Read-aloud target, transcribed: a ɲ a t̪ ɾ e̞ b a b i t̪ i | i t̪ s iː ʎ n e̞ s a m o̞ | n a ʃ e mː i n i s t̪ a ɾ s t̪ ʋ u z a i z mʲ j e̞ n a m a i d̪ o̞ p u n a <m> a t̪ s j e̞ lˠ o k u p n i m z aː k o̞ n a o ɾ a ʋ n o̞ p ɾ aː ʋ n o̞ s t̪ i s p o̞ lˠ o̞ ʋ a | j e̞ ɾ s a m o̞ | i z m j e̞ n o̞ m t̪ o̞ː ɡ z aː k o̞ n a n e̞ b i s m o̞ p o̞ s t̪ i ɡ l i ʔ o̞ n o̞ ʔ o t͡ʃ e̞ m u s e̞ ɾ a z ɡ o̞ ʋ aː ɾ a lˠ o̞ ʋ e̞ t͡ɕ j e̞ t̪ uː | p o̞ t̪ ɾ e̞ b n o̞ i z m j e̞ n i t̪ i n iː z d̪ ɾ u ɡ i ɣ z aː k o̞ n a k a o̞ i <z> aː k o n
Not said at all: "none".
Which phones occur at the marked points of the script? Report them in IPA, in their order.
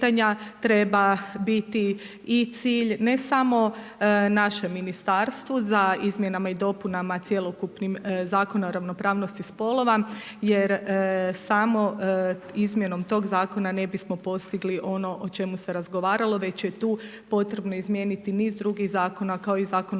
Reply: m, z

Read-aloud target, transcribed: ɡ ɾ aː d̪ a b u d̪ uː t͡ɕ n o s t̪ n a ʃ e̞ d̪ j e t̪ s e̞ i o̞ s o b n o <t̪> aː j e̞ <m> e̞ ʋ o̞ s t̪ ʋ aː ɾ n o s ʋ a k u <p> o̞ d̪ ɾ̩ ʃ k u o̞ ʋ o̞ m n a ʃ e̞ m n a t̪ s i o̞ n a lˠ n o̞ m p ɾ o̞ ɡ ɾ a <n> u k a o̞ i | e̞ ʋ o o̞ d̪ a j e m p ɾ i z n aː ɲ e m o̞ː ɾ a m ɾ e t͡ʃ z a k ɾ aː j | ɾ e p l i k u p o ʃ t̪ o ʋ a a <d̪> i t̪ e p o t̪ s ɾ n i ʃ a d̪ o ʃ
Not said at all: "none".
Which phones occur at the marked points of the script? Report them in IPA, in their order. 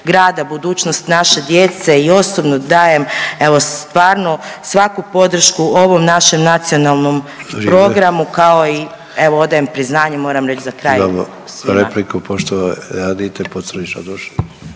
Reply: d̪, m, p, m, d̪

